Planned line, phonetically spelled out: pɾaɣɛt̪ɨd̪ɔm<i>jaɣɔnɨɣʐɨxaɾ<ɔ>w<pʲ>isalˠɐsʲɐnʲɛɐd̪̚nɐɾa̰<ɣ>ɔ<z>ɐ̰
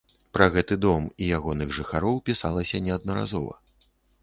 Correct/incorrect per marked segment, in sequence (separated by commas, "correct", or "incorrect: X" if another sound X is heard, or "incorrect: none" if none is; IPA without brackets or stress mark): correct, correct, correct, incorrect: z, incorrect: v